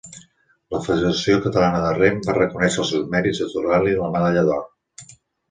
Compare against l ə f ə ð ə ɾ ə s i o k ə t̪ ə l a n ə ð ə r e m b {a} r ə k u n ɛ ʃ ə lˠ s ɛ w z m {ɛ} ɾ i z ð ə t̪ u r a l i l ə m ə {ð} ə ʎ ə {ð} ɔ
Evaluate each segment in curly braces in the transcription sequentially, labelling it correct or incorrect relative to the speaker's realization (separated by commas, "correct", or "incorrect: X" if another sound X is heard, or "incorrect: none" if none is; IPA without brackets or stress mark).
correct, correct, correct, correct